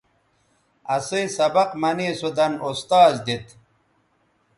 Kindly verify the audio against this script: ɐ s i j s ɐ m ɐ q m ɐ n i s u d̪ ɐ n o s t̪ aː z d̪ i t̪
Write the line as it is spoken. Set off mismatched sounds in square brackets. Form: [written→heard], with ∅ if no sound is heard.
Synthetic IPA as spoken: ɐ s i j s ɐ [m→b] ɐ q m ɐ n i s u d̪ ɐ n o s t̪ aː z d̪ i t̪